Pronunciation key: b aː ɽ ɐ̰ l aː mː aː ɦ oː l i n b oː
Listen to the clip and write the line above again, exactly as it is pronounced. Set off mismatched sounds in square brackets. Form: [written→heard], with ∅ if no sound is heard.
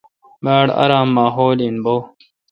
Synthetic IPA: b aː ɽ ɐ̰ [l→ɾ] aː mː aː ɦ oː l i n b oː

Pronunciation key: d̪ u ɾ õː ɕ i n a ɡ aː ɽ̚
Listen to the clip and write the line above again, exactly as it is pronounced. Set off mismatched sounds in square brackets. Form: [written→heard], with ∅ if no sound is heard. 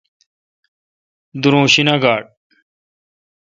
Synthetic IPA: d̪ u ɾ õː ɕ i n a ɡ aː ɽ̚

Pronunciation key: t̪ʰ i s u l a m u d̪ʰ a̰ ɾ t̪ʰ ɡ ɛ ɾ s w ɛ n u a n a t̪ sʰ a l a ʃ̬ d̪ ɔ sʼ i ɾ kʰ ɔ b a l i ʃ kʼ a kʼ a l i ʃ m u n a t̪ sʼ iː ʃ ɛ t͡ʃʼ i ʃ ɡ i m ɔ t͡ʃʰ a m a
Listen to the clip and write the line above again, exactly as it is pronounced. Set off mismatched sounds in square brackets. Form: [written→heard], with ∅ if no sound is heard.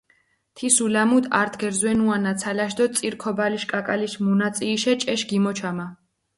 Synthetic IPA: t̪ʰ i s u l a m u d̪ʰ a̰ ɾ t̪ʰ ɡ ɛ ɾ [s→z] w ɛ n u a n a t̪ sʰ a l a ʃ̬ d̪ ɔ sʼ i ɾ kʰ ɔ b a l i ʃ kʼ a kʼ a l i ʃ m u n a t̪ sʼ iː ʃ ɛ t͡ʃʼ [i→ɛ] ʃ ɡ i m ɔ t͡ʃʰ a m a

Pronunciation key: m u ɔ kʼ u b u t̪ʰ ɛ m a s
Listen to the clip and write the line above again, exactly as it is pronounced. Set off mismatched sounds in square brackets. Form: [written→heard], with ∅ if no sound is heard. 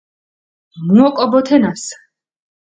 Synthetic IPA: m u ɔ kʼ [u→ɔ] b [u→ɔ] t̪ʰ ɛ [m→n] a s

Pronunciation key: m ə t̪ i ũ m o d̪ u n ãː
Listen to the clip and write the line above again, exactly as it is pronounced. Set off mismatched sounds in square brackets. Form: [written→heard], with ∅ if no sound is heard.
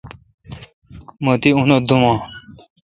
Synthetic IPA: m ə t̪ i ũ [m→n] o d̪ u [n→m] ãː

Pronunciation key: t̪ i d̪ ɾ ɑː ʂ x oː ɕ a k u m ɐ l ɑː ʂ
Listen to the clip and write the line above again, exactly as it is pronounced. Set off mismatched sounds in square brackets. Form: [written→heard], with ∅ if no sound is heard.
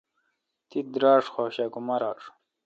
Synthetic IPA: t̪ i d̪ ɾ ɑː ʂ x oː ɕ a k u m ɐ [l→ɾ] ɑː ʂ

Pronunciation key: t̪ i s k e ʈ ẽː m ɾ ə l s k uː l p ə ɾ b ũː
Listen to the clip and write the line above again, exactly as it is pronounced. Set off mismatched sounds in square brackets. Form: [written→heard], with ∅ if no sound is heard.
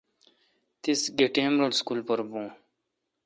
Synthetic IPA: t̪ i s [k→ɡ] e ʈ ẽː m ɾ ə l s k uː l p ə ɾ b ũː

